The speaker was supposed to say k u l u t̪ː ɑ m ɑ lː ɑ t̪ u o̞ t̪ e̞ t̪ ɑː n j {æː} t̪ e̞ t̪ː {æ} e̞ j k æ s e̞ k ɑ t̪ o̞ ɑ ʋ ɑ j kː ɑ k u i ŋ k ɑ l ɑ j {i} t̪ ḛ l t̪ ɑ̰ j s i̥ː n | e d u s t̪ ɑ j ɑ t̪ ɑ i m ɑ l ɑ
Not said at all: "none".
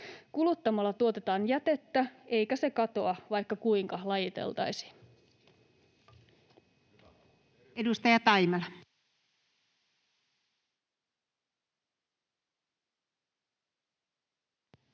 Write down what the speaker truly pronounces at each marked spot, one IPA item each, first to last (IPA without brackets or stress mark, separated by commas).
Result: æ, æ, i